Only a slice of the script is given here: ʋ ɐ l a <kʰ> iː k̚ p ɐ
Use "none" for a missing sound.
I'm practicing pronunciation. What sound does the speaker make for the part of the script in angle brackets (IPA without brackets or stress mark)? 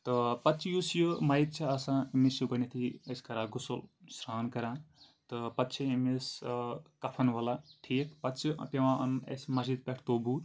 ʈʰ